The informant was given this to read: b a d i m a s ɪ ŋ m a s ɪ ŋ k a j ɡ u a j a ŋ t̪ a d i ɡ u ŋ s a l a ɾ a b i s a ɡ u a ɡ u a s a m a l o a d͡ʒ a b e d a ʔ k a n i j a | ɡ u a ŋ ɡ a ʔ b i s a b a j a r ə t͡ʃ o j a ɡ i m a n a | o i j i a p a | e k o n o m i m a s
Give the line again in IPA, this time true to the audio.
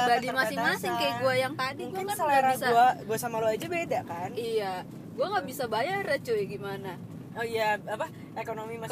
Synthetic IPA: b a d i m a s ɪ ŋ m a s ɪ ŋ k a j ɡ u a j a ŋ t̪ a d i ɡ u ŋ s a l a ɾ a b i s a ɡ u a ɡ u a s a m a l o a d͡ʒ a b e d a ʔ k a n i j a | ɡ u a ŋ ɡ a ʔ b i s a b a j a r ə t͡ʃ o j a ɡ i m a n a | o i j a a p a | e k o n o m i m a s